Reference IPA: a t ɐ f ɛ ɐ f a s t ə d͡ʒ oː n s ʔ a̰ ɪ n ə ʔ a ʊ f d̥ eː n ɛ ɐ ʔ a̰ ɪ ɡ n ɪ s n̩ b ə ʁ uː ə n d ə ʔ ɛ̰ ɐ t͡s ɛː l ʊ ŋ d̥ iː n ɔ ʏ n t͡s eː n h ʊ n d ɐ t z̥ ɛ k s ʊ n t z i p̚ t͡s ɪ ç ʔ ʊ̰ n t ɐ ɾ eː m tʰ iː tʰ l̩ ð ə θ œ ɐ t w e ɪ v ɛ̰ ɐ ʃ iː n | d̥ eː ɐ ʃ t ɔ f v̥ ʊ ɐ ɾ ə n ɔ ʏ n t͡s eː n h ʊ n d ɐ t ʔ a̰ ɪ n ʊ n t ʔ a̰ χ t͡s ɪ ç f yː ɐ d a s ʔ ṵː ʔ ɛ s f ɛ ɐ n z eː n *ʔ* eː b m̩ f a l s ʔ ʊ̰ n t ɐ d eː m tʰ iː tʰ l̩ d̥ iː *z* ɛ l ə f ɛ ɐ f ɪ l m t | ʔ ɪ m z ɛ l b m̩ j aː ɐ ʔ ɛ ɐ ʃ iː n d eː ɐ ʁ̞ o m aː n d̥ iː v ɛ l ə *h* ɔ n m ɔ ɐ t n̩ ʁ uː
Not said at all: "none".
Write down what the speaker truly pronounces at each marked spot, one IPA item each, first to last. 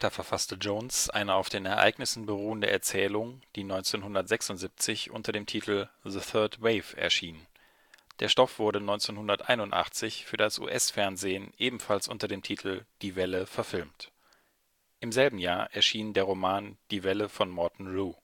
ʔ, v, f

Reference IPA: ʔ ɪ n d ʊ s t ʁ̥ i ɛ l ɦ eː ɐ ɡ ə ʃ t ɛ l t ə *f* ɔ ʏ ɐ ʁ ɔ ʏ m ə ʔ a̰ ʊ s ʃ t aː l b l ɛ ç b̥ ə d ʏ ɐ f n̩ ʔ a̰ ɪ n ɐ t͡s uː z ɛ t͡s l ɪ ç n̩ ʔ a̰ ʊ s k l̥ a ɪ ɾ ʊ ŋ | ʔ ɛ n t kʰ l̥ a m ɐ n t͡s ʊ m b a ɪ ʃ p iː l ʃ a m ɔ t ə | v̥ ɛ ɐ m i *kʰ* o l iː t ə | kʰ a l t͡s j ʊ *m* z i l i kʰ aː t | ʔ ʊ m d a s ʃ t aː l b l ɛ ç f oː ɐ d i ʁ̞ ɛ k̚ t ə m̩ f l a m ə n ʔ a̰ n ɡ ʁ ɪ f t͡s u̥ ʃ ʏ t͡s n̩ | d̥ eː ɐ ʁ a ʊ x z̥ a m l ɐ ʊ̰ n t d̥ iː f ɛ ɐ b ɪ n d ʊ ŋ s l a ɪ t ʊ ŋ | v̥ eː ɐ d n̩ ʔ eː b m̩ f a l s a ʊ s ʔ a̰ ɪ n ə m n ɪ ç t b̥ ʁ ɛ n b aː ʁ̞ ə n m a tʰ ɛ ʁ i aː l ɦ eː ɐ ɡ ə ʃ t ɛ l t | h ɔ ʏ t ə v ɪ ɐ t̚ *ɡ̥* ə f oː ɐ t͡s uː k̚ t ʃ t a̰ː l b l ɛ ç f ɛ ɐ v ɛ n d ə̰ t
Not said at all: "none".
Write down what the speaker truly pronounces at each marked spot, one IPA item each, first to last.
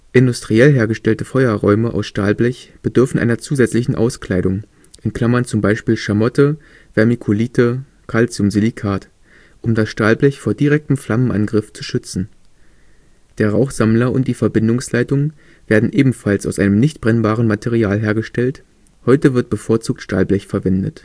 f, kʰ, m, b̥

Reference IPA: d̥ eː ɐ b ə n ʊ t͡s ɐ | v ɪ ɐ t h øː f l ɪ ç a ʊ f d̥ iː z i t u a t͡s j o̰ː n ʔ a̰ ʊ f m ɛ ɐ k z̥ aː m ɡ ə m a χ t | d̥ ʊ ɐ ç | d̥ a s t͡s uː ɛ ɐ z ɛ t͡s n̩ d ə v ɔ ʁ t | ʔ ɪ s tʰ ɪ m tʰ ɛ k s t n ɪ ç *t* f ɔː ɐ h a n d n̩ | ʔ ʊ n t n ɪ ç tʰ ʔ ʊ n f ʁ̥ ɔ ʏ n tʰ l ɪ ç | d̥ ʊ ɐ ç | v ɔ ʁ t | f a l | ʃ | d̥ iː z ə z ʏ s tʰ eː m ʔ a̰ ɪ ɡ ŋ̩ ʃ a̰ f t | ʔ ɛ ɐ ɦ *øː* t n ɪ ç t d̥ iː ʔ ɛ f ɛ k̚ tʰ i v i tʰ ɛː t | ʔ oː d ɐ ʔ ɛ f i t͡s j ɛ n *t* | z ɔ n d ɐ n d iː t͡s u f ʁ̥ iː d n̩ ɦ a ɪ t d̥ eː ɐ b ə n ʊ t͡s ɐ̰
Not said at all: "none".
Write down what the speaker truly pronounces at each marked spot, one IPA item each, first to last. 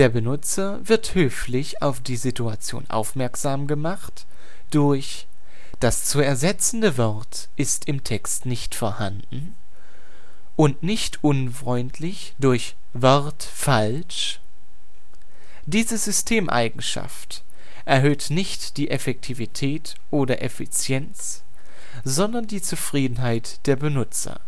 t, øː, t͡s

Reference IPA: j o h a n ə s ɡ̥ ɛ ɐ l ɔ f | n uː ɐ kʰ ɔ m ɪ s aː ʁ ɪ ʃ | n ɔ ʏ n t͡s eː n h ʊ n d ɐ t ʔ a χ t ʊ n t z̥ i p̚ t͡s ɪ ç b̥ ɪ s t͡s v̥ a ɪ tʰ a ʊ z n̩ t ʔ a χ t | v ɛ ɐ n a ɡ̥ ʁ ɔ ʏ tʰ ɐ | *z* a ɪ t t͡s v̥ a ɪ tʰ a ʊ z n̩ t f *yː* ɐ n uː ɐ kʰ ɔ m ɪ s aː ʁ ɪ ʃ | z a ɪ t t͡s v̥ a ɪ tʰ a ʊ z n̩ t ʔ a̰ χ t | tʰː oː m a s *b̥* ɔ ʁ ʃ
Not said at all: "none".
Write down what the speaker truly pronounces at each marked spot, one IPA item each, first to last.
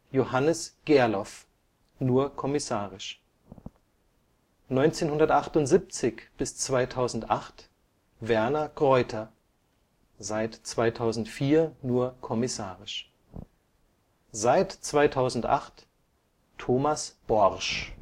z, iː, b̥

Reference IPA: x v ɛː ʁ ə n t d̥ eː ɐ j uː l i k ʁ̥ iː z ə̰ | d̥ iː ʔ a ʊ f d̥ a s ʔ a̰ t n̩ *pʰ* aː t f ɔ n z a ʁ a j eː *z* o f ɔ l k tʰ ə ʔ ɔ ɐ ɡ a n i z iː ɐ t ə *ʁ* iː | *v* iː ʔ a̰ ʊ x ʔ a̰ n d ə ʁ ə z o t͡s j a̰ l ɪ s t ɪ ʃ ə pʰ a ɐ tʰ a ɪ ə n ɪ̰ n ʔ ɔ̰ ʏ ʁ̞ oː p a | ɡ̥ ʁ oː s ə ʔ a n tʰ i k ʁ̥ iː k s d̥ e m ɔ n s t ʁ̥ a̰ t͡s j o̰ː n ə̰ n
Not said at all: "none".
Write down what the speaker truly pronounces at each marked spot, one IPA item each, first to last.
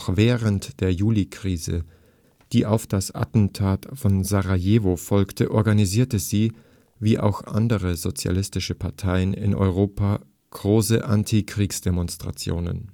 tʰ, v, z, v

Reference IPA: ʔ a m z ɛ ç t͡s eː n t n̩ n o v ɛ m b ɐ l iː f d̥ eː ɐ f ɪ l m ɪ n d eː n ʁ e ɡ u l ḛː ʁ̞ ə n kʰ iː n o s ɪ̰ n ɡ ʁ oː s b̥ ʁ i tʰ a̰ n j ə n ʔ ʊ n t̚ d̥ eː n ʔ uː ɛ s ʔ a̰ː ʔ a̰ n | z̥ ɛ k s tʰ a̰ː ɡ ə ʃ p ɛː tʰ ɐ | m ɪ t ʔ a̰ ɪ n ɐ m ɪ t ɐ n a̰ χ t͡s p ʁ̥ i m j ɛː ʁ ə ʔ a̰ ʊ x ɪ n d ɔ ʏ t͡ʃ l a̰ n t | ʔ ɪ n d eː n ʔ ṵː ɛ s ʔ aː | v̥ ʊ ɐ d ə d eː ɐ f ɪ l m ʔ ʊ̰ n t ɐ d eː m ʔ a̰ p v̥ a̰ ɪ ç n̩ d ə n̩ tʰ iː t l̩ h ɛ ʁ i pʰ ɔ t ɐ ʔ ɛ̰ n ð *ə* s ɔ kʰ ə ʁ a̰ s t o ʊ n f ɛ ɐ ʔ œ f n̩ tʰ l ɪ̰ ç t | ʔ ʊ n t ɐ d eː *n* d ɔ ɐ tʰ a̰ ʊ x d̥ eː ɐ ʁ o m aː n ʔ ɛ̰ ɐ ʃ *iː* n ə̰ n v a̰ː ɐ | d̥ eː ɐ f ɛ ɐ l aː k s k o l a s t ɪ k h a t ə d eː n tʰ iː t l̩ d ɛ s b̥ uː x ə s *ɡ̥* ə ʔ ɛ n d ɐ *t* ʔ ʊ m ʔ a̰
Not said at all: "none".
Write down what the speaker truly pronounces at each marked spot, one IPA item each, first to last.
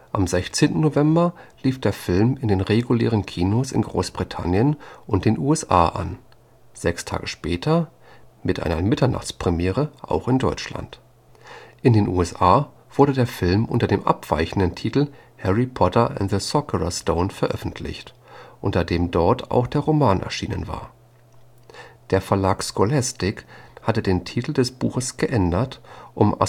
ə, m, iː, ɡ̥, t

